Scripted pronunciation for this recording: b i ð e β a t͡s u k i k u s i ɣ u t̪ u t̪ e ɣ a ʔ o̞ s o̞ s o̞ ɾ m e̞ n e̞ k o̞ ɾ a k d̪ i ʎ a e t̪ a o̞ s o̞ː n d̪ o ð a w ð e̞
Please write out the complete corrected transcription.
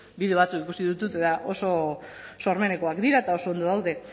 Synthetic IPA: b i ð e β a t͡s u k i k u s i ð u t̪ u t̪ e ð a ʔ o̞ s o̞ s o̞ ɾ m e̞ n e̞ k o̞ a k d̪ i ɾ a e t̪ a o̞ s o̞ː n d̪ o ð a w ð e̞